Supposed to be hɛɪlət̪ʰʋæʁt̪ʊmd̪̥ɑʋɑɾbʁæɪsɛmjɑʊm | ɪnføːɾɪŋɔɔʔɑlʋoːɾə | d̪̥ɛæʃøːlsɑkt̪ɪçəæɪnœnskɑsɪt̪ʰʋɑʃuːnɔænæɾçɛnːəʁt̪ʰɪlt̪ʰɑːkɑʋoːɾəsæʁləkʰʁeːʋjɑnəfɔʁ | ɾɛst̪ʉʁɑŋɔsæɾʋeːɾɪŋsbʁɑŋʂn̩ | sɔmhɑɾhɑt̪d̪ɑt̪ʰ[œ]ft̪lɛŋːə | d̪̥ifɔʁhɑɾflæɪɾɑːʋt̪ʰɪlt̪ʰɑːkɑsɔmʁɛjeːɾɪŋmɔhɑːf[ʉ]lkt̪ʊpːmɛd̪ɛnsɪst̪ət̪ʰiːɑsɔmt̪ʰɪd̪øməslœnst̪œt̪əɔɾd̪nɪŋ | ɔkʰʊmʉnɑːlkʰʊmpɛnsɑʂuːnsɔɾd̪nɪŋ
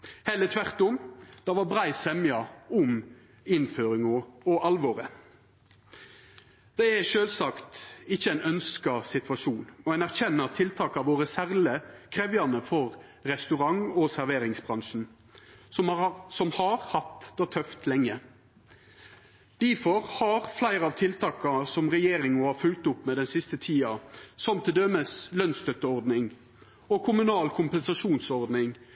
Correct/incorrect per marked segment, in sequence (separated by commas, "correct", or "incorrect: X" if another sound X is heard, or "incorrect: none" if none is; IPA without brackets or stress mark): correct, correct